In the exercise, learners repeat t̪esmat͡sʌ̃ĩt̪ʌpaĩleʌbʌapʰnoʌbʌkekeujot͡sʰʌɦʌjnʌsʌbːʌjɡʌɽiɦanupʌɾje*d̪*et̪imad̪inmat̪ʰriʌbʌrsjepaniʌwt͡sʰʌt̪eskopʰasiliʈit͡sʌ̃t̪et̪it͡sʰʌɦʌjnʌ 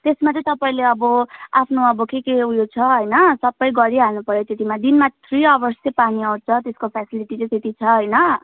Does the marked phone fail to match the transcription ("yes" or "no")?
yes